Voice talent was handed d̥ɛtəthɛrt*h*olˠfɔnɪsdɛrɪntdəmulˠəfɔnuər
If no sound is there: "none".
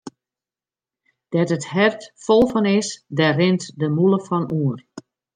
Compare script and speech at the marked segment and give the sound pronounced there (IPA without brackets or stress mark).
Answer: f